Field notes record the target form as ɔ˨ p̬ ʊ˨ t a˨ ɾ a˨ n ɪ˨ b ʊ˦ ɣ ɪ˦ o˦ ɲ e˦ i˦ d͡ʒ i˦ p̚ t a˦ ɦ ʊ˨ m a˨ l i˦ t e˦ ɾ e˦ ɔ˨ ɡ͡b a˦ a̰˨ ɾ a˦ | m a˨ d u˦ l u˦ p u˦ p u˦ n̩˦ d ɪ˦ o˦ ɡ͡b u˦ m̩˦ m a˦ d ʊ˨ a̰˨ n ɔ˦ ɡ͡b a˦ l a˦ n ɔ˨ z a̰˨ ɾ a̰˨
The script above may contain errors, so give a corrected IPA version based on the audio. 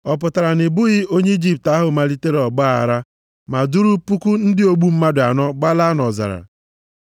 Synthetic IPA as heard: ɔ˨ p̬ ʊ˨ t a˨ ɾ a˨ n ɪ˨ b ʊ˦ ɣ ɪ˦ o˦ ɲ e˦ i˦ d͡ʒ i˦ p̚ t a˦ ɦ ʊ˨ m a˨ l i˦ t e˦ ɾ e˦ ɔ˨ ɡ͡b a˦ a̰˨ ɾ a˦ | m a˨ d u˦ ɾ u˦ p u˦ k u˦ n̩˦ d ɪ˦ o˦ ɡ͡b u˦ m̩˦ m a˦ d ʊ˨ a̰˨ n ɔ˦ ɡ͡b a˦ l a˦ n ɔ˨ z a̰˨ ɾ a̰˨

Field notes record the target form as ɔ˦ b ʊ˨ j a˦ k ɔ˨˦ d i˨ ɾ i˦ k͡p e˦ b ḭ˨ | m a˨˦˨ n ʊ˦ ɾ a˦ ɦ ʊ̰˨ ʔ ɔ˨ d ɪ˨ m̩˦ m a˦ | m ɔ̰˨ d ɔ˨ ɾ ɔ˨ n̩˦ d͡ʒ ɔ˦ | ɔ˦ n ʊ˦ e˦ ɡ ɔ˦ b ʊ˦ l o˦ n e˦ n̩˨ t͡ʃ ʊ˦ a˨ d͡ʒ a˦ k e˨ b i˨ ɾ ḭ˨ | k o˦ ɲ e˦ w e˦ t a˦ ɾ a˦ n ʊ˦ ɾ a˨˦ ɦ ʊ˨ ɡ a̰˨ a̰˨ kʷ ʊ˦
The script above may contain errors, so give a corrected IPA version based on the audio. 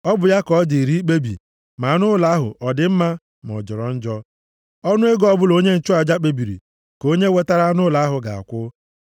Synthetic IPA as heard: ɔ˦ b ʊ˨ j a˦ k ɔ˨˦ d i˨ ɾ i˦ k͡p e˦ b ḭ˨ | m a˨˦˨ n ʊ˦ l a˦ ɦ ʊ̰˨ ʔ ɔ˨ d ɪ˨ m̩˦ m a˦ | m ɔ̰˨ d͡ʒ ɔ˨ ɾ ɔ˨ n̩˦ d͡ʒ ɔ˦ | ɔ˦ n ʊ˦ e˦ ɡ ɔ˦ b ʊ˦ l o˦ ɲ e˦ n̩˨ t͡ʃ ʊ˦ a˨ d͡ʒ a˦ k͡p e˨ b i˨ ɾ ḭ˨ | k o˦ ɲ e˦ w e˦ t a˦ ɾ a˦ n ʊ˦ l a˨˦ ɦ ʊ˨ ɡ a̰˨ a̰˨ kʷ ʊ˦

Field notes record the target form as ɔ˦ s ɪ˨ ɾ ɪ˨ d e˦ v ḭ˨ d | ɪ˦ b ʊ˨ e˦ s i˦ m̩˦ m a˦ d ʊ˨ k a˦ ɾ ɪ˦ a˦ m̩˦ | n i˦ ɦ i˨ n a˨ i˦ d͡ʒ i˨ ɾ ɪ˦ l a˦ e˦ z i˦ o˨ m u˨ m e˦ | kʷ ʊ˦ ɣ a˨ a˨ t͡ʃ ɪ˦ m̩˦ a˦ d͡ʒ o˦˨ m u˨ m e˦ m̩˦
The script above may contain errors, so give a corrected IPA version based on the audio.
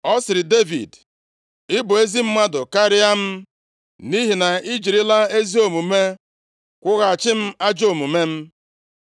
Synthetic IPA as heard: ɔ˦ s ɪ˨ ɾ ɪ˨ d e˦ v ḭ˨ d | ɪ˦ b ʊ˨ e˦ z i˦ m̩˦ m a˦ d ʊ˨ k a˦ ɾ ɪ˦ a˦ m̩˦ | n i˦ ɦ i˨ n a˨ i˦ d͡ʒ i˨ ɾ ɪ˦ l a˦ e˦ z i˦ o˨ m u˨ m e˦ | kʷ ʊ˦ ɣ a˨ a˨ t͡ʃ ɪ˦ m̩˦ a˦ d͡ʒ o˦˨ m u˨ m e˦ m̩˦

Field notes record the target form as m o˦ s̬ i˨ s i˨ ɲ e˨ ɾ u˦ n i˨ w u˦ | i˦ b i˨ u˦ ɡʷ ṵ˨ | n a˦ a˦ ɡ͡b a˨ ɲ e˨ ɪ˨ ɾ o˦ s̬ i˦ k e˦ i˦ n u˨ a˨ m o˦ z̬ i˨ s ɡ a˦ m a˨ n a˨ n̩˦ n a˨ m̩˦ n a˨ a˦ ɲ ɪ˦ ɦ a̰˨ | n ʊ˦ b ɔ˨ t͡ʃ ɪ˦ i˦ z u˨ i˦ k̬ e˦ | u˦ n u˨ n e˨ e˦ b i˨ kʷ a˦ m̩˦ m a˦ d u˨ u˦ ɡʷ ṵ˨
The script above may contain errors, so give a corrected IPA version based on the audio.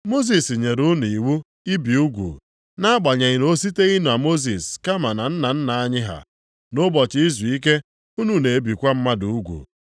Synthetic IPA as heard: m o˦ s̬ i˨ s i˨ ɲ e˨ ɾ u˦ n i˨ w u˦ | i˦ b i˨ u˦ ɡʷ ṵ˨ | n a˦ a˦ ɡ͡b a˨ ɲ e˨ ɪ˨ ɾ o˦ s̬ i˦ t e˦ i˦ n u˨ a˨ m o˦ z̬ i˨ s k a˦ m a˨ n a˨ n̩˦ n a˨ n̩˦ n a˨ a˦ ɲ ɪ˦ ɦ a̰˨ | n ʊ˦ b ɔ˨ t͡ʃ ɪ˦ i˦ z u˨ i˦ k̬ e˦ | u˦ n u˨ n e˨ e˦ b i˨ kʷ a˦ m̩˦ m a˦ d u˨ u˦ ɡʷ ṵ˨

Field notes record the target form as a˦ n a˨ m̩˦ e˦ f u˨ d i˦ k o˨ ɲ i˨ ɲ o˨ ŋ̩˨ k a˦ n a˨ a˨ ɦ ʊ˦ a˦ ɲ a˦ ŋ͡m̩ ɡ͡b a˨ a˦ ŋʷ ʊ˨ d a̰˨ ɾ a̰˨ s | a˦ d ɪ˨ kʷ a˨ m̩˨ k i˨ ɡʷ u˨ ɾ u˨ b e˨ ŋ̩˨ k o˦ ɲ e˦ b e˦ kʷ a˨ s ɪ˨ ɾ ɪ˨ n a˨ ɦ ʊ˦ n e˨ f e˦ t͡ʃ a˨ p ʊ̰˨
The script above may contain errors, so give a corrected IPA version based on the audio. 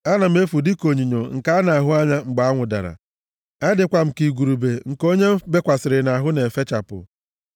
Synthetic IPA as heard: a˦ n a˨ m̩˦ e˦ f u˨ d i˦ k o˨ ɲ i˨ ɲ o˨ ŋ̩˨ k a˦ n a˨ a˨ ɦ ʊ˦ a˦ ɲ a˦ ŋ͡m̩ ɡ͡b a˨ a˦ ŋʷ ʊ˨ d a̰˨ ɾ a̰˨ | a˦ d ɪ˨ kʷ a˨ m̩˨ k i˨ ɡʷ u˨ ɾ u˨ b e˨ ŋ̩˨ k o˦ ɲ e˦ b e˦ kʷ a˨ s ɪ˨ ɾ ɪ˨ n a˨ ɦ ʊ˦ n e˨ f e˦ t͡ʃ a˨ p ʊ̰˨

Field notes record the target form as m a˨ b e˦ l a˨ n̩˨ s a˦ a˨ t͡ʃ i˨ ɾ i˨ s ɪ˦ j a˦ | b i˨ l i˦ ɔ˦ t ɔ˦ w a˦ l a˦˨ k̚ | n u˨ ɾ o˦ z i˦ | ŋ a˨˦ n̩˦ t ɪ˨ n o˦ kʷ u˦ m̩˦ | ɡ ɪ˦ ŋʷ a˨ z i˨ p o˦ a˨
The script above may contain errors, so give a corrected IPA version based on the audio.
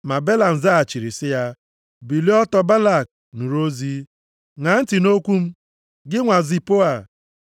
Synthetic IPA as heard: m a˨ b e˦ l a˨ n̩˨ z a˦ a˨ t͡ʃ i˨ ɾ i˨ s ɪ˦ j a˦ | b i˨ l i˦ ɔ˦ t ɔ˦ b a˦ l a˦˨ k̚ | n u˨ ɾ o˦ z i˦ | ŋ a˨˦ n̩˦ t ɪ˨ n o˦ kʷ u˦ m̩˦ | ɡ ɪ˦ ŋʷ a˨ z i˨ p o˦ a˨

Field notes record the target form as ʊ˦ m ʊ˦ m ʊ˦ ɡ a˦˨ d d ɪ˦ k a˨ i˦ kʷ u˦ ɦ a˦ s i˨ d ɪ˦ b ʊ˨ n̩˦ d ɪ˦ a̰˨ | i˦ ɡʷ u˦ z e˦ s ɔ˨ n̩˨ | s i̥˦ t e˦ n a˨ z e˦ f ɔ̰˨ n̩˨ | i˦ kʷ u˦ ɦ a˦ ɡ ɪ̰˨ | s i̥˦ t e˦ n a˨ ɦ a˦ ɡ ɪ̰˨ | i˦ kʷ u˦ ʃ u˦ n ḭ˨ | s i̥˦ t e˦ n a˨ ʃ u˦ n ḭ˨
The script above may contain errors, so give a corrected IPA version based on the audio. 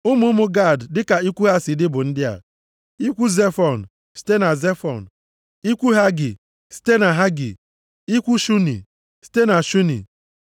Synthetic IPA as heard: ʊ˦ m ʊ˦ m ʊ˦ ɡ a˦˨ d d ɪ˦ k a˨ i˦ kʷ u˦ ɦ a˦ s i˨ d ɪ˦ b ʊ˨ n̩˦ d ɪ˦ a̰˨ | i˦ kʷ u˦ z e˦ f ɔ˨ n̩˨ | s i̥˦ t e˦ n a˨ z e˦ f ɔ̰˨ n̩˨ | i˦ kʷ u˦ ɦ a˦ ɡ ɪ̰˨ | s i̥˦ t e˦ n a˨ ɦ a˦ ɡ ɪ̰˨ | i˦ kʷ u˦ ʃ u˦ n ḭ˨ | s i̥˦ t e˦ n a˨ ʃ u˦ n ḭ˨

